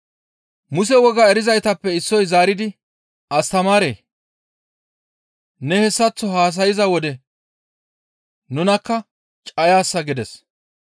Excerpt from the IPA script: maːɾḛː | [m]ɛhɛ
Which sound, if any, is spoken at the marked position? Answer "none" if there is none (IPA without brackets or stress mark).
n